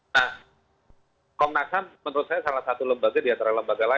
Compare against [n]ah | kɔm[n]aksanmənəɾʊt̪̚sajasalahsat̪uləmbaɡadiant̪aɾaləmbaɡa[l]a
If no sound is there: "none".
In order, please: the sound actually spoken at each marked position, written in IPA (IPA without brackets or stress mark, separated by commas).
n, n, l